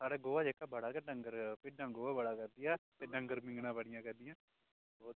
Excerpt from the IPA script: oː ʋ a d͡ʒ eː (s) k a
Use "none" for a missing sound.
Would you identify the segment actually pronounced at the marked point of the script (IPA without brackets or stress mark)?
none